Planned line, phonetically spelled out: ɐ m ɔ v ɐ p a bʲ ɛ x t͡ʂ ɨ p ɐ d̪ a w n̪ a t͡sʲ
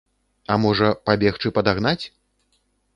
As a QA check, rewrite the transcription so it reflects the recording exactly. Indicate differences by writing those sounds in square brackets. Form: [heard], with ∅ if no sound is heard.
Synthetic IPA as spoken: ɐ m ɔ [ʐ] ɐ p a bʲ ɛ x t͡ʂ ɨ p ɐ d̪ a [ɣ] n̪ a t͡sʲ